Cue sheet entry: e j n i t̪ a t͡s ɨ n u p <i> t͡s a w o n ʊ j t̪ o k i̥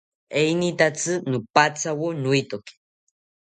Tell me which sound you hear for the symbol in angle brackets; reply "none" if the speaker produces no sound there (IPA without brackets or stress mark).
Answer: a